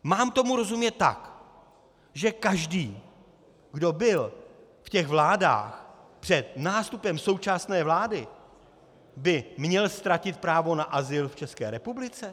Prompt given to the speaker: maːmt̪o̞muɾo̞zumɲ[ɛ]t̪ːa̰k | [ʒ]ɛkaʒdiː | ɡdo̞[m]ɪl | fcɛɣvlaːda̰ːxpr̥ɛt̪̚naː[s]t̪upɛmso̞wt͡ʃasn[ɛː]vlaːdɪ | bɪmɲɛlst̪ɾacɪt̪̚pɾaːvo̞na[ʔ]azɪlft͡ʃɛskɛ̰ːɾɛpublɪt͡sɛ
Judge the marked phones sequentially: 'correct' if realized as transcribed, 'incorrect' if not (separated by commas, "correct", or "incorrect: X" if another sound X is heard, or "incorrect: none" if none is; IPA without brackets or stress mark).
correct, correct, incorrect: b, correct, correct, correct